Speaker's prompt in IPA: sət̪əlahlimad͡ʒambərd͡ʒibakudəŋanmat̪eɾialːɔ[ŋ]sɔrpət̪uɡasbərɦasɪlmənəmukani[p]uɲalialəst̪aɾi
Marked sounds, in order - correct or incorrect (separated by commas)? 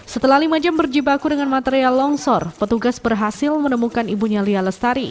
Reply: correct, incorrect